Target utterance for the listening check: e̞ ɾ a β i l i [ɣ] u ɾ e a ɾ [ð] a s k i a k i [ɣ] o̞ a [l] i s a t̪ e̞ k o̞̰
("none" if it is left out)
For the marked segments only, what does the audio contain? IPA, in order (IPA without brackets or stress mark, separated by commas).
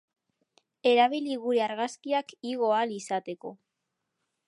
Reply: ɣ, ɣ, ɣ, l